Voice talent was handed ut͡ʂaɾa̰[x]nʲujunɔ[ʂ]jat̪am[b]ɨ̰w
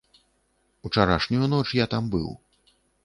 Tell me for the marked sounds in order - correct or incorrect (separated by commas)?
incorrect, incorrect, correct